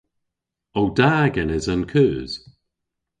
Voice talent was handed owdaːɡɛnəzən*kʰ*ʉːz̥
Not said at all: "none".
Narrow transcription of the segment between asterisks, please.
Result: kʰ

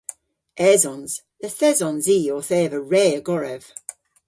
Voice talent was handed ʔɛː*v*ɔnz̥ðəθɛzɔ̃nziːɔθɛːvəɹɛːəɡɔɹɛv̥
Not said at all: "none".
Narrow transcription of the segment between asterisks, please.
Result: z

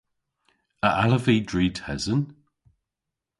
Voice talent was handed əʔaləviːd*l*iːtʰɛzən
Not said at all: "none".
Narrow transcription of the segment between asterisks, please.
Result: ɹ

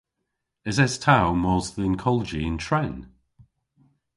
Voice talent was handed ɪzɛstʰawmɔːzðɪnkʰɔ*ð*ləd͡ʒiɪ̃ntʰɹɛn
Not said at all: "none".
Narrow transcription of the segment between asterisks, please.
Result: none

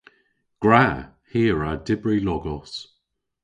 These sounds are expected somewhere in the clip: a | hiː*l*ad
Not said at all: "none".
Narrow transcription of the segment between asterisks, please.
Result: ɹ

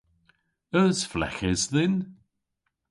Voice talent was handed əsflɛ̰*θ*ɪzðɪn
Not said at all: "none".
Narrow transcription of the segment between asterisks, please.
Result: x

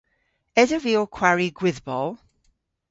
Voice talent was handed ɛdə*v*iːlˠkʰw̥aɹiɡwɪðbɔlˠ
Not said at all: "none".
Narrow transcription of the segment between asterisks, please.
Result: v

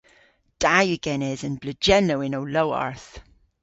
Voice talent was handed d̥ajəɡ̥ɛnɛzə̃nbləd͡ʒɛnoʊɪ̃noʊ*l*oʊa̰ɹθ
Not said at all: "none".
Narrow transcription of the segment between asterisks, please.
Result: l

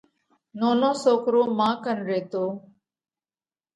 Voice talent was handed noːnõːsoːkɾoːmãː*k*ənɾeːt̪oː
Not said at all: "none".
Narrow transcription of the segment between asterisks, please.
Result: k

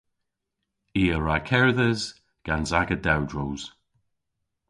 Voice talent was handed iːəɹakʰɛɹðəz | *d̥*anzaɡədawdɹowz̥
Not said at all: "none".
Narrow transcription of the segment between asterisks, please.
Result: ɡ̥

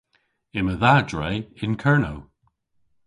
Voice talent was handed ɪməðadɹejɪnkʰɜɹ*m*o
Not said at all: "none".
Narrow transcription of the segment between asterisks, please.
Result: n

